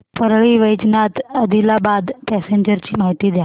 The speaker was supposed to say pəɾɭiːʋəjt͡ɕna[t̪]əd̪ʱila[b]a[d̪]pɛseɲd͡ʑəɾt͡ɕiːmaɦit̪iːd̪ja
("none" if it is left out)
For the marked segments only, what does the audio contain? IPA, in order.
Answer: t̪, b, d̪

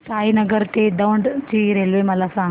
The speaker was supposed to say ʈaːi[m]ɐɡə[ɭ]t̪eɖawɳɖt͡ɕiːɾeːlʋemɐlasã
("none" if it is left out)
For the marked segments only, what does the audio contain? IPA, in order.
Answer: n, ɾ

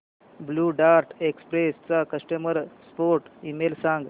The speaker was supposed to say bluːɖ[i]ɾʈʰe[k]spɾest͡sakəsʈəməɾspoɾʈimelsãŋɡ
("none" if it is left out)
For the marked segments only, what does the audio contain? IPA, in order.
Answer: a, k

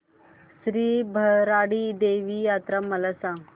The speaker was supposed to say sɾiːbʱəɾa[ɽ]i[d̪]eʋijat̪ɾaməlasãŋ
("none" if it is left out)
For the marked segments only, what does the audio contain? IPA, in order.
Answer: ɽ, d̪

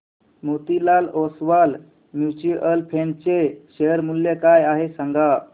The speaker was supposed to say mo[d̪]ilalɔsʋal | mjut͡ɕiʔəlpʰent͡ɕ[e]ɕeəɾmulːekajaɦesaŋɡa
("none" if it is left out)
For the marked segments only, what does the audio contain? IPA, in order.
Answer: t̪, e

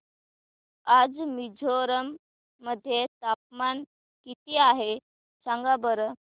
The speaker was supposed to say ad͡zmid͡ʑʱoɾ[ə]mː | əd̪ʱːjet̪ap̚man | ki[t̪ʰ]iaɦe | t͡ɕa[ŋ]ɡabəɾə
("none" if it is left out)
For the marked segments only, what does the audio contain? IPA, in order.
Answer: ə, t̪, ŋ

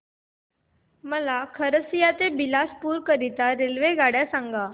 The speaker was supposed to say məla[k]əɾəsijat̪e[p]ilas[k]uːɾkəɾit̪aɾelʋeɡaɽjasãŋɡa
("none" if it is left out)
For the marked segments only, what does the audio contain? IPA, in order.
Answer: kʰ, b, p

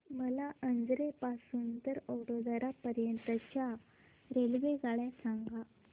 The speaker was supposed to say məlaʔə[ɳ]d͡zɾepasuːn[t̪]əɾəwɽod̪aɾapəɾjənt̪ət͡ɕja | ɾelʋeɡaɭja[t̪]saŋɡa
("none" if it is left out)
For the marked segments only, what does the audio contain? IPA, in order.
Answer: n, t̪, none

